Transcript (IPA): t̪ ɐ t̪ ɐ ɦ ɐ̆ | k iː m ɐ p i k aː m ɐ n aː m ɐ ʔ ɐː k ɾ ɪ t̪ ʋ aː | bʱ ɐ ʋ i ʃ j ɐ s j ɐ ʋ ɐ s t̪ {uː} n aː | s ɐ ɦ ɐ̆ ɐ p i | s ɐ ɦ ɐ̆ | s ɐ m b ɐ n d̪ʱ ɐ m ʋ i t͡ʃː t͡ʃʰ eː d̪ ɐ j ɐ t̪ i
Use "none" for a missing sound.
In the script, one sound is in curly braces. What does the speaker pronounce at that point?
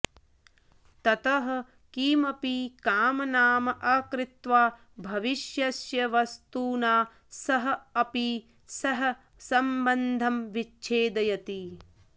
uː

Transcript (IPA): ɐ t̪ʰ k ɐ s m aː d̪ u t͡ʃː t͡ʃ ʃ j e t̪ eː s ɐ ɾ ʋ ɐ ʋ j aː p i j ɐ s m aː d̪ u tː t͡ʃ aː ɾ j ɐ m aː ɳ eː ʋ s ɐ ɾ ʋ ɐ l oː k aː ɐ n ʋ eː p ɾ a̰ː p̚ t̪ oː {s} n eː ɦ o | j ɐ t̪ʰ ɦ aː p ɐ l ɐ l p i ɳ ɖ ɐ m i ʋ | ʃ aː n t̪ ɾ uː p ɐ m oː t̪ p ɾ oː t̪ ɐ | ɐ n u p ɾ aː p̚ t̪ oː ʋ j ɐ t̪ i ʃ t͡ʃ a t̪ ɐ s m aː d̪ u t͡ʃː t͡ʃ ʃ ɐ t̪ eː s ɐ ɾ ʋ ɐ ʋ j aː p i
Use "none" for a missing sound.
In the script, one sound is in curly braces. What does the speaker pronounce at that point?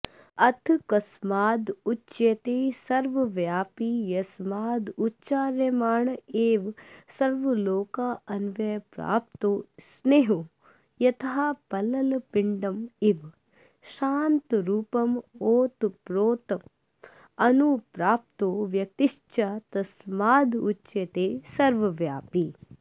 s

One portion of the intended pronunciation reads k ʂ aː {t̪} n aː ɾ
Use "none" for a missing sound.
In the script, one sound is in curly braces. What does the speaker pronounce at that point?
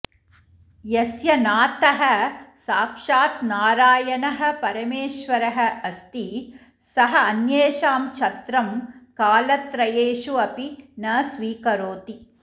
t̪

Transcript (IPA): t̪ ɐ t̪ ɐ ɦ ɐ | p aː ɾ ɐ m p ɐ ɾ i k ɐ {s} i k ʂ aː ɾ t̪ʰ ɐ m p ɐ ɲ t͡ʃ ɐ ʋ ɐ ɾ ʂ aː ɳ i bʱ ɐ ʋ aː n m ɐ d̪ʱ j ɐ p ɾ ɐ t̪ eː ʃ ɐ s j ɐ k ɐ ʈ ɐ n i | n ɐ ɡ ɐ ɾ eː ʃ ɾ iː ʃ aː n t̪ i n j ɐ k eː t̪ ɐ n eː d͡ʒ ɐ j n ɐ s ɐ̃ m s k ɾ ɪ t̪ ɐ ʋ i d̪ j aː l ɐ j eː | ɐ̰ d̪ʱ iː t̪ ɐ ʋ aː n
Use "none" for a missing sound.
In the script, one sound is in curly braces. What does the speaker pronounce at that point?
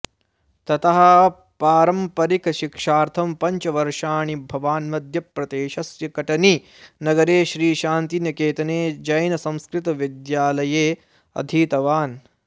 ʃ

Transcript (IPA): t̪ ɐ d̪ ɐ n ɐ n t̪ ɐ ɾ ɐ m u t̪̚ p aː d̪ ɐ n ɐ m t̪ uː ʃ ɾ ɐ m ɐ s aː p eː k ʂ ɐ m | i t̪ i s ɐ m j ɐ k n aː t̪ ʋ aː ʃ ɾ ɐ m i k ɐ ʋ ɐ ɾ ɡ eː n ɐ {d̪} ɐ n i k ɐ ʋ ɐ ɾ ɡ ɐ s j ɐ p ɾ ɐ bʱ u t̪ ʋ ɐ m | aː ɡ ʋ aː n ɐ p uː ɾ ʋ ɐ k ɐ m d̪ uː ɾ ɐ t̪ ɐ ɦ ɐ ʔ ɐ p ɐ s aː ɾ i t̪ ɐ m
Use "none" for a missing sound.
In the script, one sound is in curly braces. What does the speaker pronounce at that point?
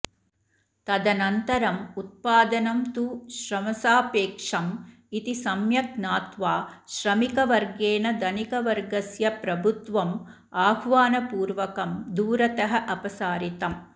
d̪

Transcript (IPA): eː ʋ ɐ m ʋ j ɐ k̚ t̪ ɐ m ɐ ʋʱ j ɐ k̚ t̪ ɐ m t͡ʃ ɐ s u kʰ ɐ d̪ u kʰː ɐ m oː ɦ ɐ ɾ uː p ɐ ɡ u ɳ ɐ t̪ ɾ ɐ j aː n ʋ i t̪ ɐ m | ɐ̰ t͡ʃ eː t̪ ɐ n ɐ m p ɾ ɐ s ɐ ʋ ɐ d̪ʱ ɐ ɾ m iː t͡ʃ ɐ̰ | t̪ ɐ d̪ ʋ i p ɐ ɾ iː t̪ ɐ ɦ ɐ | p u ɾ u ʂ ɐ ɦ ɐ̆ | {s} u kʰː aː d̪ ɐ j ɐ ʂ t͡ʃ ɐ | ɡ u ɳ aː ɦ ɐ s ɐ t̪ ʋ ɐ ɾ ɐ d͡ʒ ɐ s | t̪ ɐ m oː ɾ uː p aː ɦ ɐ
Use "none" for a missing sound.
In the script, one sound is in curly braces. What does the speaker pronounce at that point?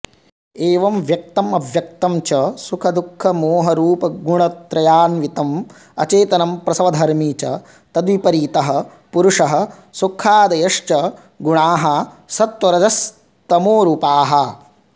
s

